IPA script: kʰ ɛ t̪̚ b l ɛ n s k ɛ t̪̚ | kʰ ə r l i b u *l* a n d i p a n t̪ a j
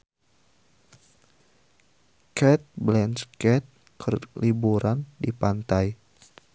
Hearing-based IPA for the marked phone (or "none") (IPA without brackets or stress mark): ɾ